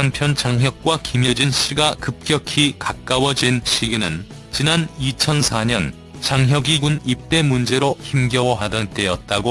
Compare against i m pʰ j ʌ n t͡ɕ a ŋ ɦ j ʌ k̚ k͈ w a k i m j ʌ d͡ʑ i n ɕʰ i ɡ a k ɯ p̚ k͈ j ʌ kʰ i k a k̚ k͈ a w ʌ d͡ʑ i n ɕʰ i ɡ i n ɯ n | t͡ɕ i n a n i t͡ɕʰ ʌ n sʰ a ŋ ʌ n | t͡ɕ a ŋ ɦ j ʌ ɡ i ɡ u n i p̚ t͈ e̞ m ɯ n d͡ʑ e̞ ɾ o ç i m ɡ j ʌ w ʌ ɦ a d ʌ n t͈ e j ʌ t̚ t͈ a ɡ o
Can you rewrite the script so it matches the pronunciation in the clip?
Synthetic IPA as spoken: a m pʰ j ʌ n t͡ɕ a ŋ ɦ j ʌ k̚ k͈ w a k i m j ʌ d͡ʑ i n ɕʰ i ɡ a k ɯ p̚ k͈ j ʌ kʰ i k a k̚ k͈ a w ʌ d͡ʑ i n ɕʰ i ɡ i n ɯ n | t͡ɕ i n a n i t͡ɕʰ ʌ n sʰ a ɲ ʌ n | t͡ɕ a ŋ ɦ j ʌ ɡ i ɡ u n i p̚ t͈ e̞ m u n d͡ʑ e̞ ɾ o ç i m ɡ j ʌ w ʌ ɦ a d ʌ n t͈ e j ʌ t̚ t͈ a ɡ o